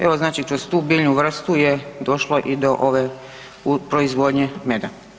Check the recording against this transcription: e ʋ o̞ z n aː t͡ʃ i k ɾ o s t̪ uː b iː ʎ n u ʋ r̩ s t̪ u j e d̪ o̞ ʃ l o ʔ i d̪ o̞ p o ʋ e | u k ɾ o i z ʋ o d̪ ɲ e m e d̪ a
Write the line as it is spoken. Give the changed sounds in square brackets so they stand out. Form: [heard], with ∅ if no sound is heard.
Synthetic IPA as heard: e ʋ o̞ z n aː t͡ʃ i k ɾ o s t̪ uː b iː ʎ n u ʋ r̩ s t̪ u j e d̪ o̞ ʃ l o ʔ i d̪ o̞ [ʔ] o ʋ e | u [p] ɾ o i z ʋ o d̪ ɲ e m e d̪ a